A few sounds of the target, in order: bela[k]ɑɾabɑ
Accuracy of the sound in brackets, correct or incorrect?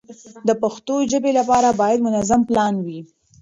incorrect